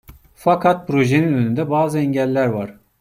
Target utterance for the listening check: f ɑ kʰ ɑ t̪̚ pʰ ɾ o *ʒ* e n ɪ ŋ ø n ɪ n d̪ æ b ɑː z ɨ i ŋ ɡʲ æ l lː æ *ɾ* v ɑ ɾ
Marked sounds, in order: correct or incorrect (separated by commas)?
correct, correct